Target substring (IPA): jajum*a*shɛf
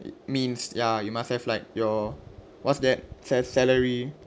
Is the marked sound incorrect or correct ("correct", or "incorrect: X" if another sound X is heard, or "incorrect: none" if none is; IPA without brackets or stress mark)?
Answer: correct